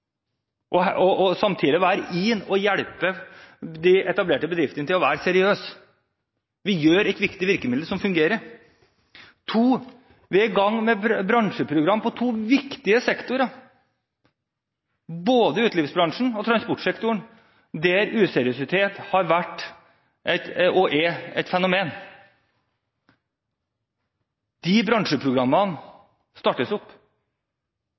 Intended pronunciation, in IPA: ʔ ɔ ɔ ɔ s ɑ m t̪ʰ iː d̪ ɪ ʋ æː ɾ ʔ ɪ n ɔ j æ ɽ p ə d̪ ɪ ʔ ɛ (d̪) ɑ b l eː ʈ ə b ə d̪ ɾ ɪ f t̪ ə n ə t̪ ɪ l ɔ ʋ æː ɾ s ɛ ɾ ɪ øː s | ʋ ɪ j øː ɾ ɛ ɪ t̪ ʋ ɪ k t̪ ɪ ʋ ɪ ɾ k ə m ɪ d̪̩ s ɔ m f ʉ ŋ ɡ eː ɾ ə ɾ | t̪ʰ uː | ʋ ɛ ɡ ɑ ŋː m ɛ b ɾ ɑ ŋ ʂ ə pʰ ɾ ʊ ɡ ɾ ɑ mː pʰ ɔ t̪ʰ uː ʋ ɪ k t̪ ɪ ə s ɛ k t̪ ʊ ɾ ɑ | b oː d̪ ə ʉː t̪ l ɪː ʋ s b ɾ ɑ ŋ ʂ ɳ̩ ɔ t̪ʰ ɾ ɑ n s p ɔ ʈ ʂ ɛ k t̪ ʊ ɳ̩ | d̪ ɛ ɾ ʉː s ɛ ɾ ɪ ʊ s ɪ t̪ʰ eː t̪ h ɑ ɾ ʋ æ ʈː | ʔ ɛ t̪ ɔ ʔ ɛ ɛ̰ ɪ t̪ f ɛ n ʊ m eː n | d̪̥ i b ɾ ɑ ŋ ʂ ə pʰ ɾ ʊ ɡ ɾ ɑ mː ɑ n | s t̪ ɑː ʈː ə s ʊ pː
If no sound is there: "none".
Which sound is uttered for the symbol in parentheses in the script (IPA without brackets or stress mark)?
t̪